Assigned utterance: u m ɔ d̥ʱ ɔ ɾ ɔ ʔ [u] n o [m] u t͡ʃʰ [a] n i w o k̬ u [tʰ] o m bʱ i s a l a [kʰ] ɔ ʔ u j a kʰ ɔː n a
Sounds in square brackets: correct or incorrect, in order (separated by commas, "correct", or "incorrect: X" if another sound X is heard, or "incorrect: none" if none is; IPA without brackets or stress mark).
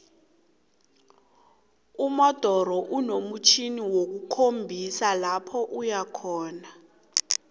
correct, correct, incorrect: i, incorrect: kʰ, incorrect: pʰ